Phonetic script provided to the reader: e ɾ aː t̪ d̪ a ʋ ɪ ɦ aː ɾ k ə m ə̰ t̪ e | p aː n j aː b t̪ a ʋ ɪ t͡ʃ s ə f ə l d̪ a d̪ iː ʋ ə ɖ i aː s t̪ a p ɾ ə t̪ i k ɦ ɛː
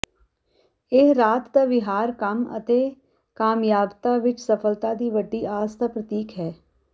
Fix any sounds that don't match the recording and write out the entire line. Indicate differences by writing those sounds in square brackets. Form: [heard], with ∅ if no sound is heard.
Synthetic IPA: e ɾ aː t̪ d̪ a ʋ ɪ ɦ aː ɾ k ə m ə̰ t̪ e | [k] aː [m] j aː b t̪ a ʋ ɪ t͡ʃ s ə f ə l [t̪] a d̪ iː ʋ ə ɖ i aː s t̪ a p ɾ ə t̪ [iː] k ɦ ɛː